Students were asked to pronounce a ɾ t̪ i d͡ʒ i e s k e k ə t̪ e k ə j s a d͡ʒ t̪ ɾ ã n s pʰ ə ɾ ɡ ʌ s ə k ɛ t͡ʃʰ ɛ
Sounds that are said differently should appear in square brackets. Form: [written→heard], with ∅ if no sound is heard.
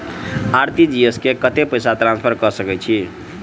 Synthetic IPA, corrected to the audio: a ɾ t̪ i d͡ʒ i e s k e k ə t̪ e [k→p] ə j s a [d͡ʒ→∅] t̪ ɾ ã n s pʰ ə ɾ [ɡ→k] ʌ s ə k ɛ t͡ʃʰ [ɛ→i]

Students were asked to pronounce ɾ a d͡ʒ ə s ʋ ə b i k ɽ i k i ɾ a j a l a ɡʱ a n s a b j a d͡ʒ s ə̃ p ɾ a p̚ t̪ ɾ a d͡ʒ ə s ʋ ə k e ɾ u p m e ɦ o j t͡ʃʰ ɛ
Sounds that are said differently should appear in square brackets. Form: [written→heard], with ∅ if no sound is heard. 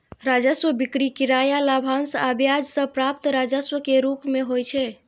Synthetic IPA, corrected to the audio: ɾ a d͡ʒ ə s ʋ ə b i k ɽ i k i ɾ a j a l a [ɡʱ→bʱ] a n s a b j a d͡ʒ s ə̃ p ɾ a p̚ t̪ ɾ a d͡ʒ ə s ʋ ə k e ɾ u p m e ɦ o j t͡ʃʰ ɛ

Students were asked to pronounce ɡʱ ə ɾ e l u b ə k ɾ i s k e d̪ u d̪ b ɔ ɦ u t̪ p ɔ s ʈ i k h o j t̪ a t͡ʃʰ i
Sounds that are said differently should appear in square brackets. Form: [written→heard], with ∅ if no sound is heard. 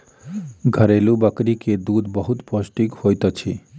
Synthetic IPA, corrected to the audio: ɡʱ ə ɾ e l u b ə k ɾ i [s→∅] k e d̪ u d̪ b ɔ ɦ u t̪ p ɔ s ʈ i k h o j t̪ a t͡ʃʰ i

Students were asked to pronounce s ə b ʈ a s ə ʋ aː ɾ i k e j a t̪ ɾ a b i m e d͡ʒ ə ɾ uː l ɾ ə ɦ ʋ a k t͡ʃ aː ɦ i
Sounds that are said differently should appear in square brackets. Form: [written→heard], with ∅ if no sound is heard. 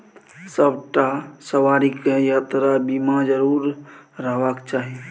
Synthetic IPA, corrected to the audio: s ə b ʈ a s ə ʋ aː ɾ i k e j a t̪ ɾ a b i m [e→a] d͡ʒ ə ɾ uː [l→ɾ] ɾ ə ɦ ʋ a k t͡ʃ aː ɦ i

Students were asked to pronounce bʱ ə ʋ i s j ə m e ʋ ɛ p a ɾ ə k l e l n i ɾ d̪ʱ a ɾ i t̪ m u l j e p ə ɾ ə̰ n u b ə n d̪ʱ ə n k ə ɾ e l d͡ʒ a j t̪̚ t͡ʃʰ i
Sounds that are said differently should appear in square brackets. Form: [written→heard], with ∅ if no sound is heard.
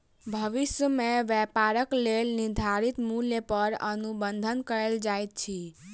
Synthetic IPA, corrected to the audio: bʱ ə ʋ i s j ə m e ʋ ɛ p a ɾ ə k l e l n i ɾ d̪ʱ a ɾ i t̪ m u l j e p ə ɾ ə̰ n u b ə n d̪ʱ ə n k ə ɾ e l d͡ʒ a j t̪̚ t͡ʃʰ i

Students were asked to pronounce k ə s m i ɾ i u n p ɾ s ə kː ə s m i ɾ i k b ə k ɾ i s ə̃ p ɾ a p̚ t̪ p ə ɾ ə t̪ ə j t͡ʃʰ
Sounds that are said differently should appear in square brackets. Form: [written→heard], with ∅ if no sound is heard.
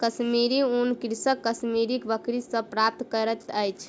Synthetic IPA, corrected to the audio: k ə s m i ɾ i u n [p→k] ɾ s ə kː ə s m i ɾ i k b ə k ɾ i s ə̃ p ɾ a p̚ t̪ [p→k] ə ɾ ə t̪ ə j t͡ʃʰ

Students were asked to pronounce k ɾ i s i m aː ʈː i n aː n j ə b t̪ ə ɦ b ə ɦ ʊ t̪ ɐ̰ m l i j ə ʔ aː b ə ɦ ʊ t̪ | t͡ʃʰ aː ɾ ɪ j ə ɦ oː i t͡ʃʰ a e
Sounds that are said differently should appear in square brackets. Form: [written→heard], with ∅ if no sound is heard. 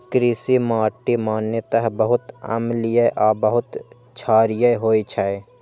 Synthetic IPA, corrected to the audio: k ɾ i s i m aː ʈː i [n→m] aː n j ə [b→∅] t̪ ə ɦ b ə ɦ ʊ t̪ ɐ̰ m l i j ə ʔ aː b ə ɦ ʊ t̪ | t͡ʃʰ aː ɾ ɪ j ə ɦ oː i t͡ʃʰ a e

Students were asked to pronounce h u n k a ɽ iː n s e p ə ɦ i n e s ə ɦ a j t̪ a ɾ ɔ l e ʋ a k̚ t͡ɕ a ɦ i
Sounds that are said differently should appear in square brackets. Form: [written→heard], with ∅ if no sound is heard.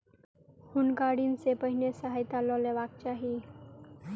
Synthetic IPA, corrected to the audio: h u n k a ɽ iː n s e p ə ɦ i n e s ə ɦ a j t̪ a [ɾ→l] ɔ l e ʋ a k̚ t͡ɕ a ɦ i

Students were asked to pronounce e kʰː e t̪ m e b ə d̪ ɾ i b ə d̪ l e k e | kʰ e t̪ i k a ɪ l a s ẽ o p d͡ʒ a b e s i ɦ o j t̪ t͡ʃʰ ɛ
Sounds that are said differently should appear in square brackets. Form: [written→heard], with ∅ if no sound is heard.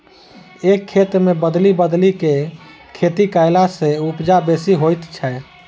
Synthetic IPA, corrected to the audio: e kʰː e t̪ m e b ə d̪ [ɾ→l] i b ə d̪ l [e→i] k e | kʰ e t̪ i k a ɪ l a s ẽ [o→u] p d͡ʒ a b e s i ɦ o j t̪ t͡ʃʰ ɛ

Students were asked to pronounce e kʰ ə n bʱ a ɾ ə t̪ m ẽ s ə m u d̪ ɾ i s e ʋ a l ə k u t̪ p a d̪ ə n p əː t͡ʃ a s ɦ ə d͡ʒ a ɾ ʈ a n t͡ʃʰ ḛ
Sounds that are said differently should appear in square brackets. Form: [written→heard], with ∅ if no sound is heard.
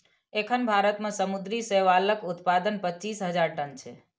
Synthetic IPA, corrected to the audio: e kʰ ə n bʱ a ɾ ə t̪ m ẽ s ə m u d̪ ɾ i s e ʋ a l ə k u t̪ p a d̪ ə n p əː t͡ʃ [a→i] s ɦ ə d͡ʒ a ɾ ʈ [a→ə] n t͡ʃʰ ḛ

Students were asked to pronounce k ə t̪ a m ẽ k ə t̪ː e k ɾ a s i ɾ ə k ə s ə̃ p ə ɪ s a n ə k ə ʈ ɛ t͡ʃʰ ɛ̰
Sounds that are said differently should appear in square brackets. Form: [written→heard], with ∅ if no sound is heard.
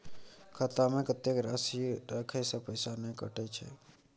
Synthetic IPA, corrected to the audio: [k→kʰ] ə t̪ a m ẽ k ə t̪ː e k ɾ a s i ɾ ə [k→kʰ] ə s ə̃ p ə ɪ s a n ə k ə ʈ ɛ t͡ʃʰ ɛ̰

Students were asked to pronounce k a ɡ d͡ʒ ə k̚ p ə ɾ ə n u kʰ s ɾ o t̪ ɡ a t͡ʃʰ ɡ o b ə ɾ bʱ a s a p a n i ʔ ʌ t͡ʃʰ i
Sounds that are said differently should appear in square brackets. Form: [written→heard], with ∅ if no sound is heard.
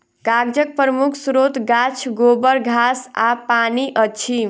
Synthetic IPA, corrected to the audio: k a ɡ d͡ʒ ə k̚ p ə ɾ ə [n→m] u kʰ s ɾ o t̪ ɡ a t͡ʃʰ ɡ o b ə ɾ [bʱ→ɡʱ] a s a p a n i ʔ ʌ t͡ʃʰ i

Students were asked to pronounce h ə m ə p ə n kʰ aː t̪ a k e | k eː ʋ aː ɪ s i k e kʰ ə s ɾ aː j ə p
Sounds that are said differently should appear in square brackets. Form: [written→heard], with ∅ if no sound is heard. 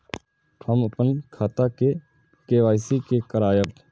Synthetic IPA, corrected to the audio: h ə m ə p ə n kʰ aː t̪ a k e | k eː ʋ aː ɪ s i k e [kʰ→k] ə [s→∅] ɾ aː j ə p

